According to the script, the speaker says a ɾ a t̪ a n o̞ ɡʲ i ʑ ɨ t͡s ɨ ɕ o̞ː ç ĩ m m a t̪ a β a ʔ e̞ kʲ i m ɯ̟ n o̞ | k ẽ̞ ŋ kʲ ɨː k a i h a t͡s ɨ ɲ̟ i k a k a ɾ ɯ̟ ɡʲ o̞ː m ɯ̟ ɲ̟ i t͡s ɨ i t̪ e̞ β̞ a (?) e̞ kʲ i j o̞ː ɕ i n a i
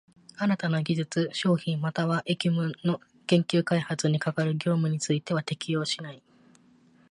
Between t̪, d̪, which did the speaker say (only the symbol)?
t̪